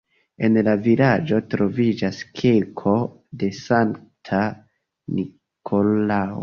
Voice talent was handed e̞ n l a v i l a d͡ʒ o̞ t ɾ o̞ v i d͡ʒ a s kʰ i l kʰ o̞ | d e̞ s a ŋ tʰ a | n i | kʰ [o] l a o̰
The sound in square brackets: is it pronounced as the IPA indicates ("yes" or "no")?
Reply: yes